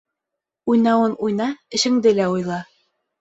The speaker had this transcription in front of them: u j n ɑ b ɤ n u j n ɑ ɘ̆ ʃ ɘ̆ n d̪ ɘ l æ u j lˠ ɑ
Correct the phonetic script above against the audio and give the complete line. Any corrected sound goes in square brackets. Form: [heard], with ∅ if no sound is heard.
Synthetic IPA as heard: u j n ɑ [w] ɤ n u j n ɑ ɘ̆ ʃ ɘ̆ [ŋ] d̪ ɘ l æ u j lˠ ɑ